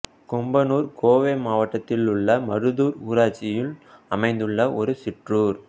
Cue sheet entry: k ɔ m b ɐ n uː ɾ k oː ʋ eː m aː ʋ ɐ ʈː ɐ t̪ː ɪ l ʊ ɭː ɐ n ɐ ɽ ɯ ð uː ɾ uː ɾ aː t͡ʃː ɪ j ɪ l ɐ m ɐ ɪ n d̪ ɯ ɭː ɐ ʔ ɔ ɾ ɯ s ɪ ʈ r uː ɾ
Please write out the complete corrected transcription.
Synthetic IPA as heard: k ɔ m b ɐ n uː ɾ k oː ʋ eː m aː ʋ ɐ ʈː ɐ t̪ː ɪ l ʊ ɭː ɐ m ɐ ɾ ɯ ð uː ɾ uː ɾ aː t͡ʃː ɪ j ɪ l ɐ m ɐ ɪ n d̪ ɯ ɭː ɐ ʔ ɔ ɾ ɯ s ɪ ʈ r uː ɾ